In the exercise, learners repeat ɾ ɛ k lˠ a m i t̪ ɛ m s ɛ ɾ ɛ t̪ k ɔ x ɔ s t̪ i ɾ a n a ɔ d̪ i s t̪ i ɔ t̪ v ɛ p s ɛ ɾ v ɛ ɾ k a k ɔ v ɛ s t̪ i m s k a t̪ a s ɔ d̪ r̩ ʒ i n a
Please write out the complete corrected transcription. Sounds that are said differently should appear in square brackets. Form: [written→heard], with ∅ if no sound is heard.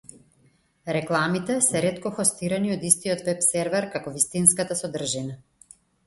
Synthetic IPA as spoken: ɾ ɛ k lˠ a m i t̪ ɛ [m→∅] s ɛ ɾ ɛ t̪ k ɔ x ɔ s t̪ i ɾ a n [a→i] ɔ d̪ i s t̪ i ɔ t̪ v ɛ p s ɛ ɾ v ɛ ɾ k a k ɔ v [ɛ→i] s t̪ i [m→n] s k a t̪ a s ɔ d̪ r̩ ʒ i n a